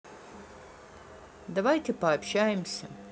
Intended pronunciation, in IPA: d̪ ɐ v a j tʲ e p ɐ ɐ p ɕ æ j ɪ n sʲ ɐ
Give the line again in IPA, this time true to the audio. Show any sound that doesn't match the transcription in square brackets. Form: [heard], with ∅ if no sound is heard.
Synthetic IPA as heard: d̪ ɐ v a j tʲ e p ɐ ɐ p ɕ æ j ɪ [m] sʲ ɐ